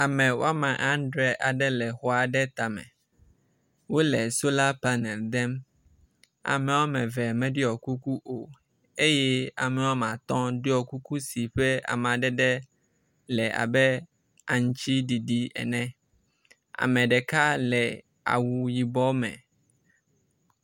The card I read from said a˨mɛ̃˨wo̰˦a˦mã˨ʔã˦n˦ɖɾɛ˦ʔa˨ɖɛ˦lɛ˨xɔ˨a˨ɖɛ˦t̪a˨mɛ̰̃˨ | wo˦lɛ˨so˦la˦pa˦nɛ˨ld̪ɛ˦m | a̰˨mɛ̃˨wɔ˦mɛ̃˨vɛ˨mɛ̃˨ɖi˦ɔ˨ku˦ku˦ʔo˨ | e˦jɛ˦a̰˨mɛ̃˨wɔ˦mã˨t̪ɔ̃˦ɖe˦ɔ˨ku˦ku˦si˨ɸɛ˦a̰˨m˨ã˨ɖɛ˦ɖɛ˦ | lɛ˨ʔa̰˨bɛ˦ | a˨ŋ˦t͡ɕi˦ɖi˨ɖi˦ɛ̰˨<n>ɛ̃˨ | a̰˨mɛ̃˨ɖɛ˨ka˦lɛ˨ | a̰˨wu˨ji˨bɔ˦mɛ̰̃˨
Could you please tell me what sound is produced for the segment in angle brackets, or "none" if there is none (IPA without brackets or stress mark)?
n